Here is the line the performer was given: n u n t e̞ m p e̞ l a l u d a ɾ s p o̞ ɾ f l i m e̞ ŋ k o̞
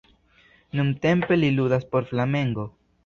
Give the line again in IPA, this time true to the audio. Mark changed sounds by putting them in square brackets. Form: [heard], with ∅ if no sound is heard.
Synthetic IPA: n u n t e̞ m p e̞ l [i] l u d a [∅] s p o̞ ɾ f l [a] m e̞ ŋ [ɡ] o̞